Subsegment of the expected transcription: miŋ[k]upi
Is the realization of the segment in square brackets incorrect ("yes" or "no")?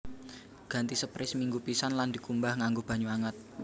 yes